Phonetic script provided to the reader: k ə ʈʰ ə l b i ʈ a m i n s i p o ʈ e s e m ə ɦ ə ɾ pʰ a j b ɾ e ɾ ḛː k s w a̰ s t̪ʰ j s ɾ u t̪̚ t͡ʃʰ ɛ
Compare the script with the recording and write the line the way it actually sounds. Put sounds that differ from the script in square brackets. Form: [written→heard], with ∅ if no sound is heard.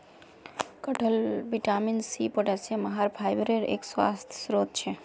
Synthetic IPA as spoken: k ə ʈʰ ə l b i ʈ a m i n s i p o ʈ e s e m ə ɦ [ə→a] ɾ pʰ a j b ɾ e ɾ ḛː k s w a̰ s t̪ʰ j s ɾ [u→o] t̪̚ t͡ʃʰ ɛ